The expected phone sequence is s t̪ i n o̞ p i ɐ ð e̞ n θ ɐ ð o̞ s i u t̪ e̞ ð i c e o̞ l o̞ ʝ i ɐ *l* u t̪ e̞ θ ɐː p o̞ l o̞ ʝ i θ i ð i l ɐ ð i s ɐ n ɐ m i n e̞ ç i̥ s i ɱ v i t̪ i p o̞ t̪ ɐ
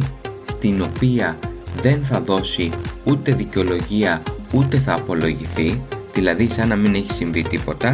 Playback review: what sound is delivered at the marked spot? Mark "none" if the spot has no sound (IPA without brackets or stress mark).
none